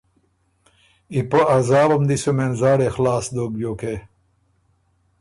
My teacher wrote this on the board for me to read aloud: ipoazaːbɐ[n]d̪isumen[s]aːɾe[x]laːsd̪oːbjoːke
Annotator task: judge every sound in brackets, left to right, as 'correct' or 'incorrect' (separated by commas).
incorrect, incorrect, correct